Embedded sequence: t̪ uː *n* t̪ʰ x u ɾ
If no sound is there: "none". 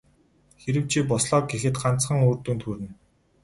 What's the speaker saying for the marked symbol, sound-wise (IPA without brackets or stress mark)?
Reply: n